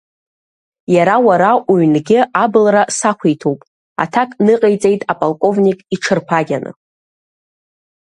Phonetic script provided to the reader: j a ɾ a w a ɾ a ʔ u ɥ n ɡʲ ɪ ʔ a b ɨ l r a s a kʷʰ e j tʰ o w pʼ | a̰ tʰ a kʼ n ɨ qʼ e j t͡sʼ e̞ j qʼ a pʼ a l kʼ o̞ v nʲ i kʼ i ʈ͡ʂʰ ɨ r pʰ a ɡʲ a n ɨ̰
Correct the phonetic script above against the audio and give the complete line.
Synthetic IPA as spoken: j a ɾ a w a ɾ a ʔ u ɥ n ɡʲ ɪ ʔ a b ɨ l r a s a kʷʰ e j tʰ o w pʼ | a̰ tʰ a kʼ n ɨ qʼ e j t͡sʼ e̞ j tʼ a pʼ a l kʼ o̞ v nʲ i kʼ i ʈ͡ʂʰ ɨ r pʰ a ɡʲ a n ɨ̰